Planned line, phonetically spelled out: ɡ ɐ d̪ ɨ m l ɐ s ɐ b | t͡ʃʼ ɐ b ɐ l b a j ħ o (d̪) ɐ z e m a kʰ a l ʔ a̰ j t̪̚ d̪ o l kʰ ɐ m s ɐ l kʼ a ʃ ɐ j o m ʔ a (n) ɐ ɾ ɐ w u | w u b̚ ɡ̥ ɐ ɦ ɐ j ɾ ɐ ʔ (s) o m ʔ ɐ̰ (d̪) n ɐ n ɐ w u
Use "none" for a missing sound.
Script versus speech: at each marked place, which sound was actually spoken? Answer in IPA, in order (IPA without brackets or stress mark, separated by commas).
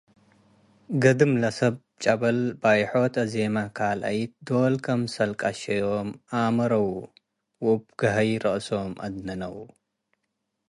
t̪, m, s, d̪